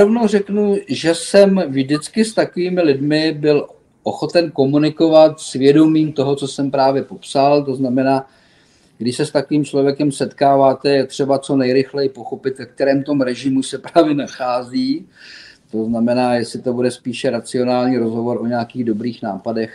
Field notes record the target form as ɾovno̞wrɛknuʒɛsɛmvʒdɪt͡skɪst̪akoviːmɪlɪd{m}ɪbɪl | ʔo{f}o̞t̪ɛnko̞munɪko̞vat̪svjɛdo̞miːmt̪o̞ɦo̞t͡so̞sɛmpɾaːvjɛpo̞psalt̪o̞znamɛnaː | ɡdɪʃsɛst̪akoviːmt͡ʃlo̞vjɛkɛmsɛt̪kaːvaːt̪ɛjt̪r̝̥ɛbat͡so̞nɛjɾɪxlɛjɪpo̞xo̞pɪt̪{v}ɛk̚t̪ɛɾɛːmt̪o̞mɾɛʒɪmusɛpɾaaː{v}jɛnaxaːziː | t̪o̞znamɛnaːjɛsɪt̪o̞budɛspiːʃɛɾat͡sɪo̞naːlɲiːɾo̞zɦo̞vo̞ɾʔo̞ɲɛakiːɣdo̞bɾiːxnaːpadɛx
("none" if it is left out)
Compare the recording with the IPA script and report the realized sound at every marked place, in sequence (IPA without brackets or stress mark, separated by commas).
m, x, v, v